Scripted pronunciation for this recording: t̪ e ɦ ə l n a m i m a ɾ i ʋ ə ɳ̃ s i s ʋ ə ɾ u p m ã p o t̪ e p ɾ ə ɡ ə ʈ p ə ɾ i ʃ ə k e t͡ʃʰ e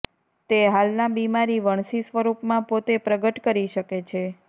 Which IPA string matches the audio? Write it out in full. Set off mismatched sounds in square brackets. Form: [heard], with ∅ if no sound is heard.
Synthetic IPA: t̪ e ɦ [a] l n a [b] i m a ɾ i ʋ ə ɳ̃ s i s ʋ ə ɾ u p m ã p o t̪ e p ɾ ə ɡ ə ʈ [k] ə ɾ i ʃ ə k e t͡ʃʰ e